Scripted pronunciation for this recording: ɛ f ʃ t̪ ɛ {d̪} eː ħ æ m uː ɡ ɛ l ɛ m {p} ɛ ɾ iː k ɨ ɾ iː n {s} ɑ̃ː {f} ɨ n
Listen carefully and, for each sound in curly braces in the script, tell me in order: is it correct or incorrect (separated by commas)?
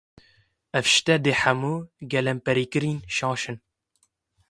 correct, correct, incorrect, incorrect